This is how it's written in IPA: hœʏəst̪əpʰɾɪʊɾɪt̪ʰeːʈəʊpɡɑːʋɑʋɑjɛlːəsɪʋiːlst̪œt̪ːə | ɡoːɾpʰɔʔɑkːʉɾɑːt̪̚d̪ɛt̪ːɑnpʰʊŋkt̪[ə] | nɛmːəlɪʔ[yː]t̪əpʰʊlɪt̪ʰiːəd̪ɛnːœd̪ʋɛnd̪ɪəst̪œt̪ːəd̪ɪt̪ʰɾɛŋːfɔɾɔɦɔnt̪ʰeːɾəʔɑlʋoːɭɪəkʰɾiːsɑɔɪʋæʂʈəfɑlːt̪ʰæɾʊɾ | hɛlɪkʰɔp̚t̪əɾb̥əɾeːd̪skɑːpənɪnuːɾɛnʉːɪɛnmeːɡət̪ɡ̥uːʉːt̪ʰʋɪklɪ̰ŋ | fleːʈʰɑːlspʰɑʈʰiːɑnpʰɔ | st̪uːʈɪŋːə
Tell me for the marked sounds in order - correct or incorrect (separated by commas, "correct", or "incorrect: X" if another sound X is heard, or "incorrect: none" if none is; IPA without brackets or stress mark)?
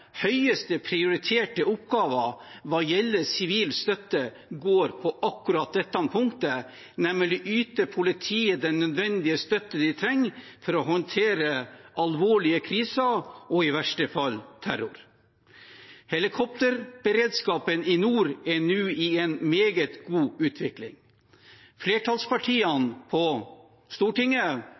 correct, correct